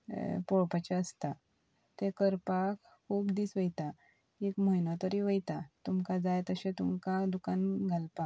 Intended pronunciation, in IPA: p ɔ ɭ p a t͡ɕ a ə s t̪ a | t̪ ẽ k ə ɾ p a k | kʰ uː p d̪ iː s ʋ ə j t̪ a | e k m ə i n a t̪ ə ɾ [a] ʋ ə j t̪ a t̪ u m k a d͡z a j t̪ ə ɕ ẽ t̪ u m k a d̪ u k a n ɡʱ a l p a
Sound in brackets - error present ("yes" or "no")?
yes